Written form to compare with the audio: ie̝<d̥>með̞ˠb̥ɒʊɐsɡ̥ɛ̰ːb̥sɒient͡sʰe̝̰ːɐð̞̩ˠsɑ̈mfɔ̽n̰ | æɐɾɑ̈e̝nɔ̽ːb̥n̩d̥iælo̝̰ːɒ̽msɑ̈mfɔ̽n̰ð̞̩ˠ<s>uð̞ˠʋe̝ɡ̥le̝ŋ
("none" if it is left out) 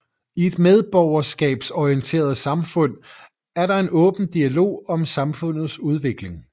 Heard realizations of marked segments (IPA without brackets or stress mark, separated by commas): d̥, s